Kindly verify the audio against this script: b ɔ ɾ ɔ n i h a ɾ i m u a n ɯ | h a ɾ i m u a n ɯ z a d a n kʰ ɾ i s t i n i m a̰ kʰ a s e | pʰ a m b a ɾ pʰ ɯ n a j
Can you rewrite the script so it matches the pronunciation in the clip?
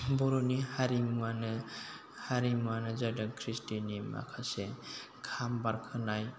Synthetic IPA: b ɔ ɾ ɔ n i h a ɾ i m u a n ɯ | h a ɾ i m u a n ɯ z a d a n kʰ ɾ i s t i n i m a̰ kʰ a s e | kʰ a m b a ɾ kʰ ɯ n a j